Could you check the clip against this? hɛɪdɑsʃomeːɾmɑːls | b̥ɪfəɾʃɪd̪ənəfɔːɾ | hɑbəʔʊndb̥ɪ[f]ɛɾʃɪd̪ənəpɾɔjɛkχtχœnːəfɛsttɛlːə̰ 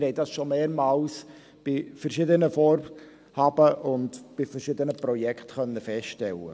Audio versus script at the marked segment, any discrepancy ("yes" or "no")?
no